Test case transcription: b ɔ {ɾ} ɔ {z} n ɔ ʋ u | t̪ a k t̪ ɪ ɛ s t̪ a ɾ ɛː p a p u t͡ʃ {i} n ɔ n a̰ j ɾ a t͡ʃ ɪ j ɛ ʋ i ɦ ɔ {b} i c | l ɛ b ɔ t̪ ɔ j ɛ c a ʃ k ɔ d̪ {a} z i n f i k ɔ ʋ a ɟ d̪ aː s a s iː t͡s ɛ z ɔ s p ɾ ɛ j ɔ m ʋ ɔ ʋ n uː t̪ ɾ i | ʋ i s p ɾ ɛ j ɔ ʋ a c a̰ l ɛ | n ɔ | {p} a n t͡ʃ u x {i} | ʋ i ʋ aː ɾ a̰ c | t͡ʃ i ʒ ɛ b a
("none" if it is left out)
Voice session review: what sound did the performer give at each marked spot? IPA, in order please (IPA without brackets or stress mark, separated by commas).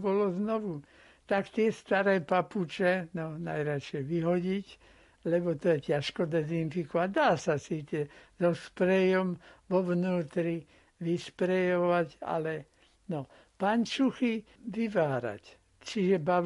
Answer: l, z, ɛ, ɟ, ɛ, p, i